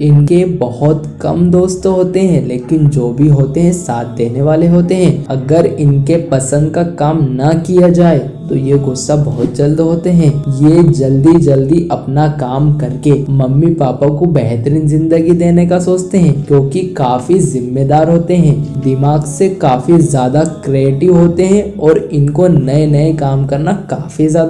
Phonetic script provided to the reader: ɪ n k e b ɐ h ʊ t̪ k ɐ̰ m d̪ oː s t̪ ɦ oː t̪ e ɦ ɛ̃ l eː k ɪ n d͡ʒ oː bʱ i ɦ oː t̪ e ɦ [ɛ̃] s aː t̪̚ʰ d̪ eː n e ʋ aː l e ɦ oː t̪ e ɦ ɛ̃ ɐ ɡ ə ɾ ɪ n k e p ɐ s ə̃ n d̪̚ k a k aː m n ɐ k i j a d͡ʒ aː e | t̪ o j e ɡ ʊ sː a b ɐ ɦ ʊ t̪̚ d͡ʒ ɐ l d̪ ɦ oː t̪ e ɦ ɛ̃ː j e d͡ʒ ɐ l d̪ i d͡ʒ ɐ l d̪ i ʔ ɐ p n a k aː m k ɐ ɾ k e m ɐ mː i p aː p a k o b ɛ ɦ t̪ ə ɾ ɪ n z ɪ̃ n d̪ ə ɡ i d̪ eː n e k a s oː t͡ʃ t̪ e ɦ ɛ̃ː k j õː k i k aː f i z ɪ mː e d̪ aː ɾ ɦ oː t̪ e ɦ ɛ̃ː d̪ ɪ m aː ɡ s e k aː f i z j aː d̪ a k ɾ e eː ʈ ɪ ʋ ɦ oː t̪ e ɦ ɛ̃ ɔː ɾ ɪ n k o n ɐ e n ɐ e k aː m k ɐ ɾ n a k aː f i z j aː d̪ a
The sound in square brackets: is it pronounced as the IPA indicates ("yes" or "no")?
yes